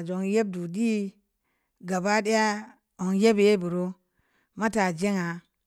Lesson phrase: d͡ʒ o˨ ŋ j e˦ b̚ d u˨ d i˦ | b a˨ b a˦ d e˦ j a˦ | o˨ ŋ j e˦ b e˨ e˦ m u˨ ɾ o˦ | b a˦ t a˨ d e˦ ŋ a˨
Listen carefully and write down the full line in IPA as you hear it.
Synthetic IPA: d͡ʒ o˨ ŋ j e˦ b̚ d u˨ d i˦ | ɡ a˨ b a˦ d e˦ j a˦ | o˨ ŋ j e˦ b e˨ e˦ b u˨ ɾ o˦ | m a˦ t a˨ d͡ʒ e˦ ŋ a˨